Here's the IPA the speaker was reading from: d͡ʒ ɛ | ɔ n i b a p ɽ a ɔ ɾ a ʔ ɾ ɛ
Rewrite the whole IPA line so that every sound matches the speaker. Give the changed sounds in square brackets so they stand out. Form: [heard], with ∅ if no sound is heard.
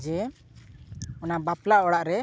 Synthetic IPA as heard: d͡ʒ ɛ | ɔ n [a] b a p [l] a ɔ [ɽ] a ʔ ɾ ɛ